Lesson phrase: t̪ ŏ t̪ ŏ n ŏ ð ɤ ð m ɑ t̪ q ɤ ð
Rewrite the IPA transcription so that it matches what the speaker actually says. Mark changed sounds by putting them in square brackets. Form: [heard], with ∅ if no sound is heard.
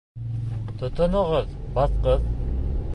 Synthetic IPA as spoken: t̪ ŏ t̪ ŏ n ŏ [ʁ] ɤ ð [b] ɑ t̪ q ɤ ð

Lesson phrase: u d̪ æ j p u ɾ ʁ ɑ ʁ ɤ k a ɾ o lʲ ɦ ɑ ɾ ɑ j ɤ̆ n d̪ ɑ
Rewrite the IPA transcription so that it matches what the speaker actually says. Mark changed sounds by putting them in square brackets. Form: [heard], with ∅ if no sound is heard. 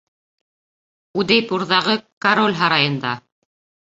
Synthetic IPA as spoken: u d̪ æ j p u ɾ [ð] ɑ ʁ ɤ k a ɾ o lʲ ɦ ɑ ɾ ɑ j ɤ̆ n d̪ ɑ

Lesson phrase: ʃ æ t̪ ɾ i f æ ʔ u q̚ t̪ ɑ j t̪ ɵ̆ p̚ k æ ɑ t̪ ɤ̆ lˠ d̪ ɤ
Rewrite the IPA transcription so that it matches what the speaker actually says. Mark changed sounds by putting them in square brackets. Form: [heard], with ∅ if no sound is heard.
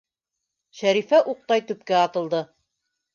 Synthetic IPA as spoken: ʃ æ [∅] ɾ i f æ ʔ u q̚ t̪ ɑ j t̪ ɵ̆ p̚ k æ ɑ t̪ ɤ̆ lˠ d̪ ɤ

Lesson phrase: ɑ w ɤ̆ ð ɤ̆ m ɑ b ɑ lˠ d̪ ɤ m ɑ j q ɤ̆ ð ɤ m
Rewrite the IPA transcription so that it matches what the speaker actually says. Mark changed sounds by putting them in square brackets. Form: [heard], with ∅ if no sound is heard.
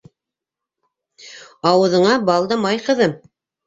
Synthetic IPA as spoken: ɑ w ɤ̆ ð ɤ̆ [ɴ] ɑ b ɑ lˠ d̪ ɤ m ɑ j q ɤ̆ ð ɤ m

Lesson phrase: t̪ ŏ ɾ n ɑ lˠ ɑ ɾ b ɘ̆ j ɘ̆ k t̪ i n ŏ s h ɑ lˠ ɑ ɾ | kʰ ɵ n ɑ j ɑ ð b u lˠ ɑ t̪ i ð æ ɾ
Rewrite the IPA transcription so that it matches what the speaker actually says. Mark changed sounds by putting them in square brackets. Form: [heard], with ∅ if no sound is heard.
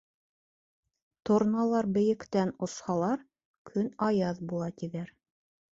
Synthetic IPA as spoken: t̪ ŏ ɾ n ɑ lˠ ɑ ɾ b ɘ̆ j ɘ̆ k t̪ [æ] n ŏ s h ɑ lˠ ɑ ɾ | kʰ ɵ n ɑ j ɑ ð b u lˠ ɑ t̪ i ð æ ɾ

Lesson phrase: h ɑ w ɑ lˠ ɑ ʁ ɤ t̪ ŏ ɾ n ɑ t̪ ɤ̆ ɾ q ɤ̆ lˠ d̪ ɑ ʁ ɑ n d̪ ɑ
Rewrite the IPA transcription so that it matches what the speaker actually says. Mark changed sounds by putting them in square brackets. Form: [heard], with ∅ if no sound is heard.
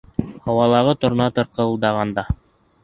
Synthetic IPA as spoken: h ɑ w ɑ lˠ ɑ ʁ ɤ t̪ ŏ ɾ n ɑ t̪ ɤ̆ ɾ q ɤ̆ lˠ d̪ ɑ ʁ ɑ n d̪ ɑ

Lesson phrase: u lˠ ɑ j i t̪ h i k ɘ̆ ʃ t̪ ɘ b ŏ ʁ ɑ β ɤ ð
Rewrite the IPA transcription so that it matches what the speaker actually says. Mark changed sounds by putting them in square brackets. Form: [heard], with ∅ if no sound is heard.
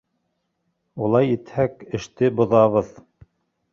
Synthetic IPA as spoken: u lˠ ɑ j i t̪ h [æ] k ɘ̆ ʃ t̪ ɘ b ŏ [ð] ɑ β ɤ ð

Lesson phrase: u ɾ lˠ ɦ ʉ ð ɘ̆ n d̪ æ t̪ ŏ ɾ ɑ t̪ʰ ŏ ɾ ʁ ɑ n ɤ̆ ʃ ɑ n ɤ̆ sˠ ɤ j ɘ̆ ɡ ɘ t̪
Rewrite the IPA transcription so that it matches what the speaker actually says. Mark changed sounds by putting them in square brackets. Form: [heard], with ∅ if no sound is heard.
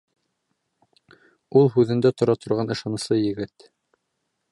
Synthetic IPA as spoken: u [∅] lˠ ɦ ʉ ð ɘ̆ n d̪ æ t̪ ŏ ɾ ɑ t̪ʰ ŏ ɾ ʁ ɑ n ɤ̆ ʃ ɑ n ɤ̆ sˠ ɤ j ɘ̆ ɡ ɘ t̪

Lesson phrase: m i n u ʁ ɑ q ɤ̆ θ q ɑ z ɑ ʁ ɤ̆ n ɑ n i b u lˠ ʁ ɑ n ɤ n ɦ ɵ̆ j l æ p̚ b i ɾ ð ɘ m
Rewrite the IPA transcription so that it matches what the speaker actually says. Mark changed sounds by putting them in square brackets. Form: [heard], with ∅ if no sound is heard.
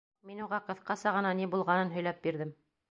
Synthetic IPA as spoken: m i n u ʁ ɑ q ɤ̆ θ q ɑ [s] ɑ ʁ ɤ̆ n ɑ n i b u lˠ ʁ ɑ n ɤ n ɦ ɵ̆ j l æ p̚ b i ɾ ð ɘ m

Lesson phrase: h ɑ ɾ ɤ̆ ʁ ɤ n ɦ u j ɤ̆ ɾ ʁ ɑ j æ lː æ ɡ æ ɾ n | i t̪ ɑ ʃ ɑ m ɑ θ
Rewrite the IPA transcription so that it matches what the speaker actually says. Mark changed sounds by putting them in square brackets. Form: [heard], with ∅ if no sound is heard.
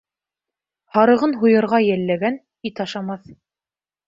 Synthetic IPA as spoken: h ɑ ɾ ɤ̆ ʁ ɤ n ɦ u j ɤ̆ ɾ ʁ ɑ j æ lː æ ɡ æ [∅] n | i t̪ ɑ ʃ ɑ m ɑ θ

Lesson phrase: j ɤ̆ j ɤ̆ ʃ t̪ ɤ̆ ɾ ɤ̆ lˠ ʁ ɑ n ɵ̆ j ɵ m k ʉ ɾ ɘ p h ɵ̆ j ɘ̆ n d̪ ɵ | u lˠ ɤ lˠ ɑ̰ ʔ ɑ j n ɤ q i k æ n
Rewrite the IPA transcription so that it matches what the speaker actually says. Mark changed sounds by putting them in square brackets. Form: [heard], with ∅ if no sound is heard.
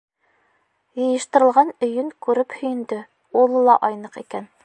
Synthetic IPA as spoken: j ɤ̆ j ɤ̆ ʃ t̪ ɤ̆ ɾ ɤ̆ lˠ ʁ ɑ n ɵ̆ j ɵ [ŋ] k ʉ ɾ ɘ p h ɵ̆ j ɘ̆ n d̪ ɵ | u lˠ ɤ lˠ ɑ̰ ʔ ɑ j n ɤ q i k æ n

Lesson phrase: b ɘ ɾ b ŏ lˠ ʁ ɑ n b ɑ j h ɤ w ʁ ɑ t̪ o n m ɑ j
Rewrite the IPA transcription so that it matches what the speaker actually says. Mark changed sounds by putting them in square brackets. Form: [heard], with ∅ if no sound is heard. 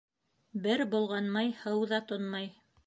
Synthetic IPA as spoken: b ɘ ɾ b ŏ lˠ ʁ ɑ n [m] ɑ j h ɤ w [ð] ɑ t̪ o n m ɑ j

